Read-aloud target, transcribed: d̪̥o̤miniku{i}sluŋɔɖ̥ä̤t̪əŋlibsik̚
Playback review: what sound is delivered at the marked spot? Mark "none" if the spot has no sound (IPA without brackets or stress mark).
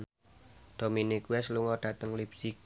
ɛ